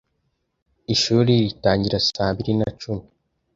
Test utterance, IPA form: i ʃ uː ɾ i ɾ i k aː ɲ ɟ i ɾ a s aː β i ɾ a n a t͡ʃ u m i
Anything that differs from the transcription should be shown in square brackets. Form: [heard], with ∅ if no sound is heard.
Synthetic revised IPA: i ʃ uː ɾ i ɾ i [t] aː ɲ ɟ i ɾ a s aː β i ɾ [i] n a t͡ʃ u m i